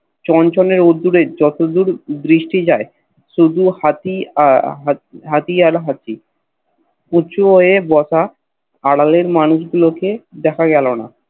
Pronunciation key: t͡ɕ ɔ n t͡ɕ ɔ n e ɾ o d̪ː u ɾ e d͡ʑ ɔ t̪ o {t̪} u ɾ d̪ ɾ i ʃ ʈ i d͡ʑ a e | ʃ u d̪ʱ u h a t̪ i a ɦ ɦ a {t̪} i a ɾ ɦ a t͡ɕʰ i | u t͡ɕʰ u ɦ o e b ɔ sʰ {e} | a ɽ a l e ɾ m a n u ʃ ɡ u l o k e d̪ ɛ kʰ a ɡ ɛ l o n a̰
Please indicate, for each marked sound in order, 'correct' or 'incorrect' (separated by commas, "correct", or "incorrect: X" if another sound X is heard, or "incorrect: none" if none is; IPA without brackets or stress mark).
incorrect: d̪, correct, incorrect: a